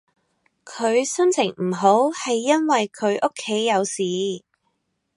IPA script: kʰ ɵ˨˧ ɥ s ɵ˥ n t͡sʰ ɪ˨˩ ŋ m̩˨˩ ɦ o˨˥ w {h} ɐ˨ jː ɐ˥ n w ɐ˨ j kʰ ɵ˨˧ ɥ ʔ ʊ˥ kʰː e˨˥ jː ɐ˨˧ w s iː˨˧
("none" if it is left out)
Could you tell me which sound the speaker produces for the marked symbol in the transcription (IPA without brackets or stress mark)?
h